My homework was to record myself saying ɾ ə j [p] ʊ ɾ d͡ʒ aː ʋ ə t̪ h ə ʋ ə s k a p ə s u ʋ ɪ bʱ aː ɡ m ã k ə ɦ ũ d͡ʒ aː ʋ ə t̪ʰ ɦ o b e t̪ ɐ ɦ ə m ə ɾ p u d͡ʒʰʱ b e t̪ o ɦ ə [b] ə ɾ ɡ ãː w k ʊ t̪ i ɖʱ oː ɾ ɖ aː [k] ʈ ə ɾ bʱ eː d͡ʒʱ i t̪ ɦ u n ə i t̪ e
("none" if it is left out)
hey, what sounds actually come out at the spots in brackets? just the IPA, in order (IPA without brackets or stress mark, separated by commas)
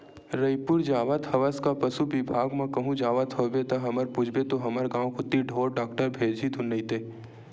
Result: p, m, k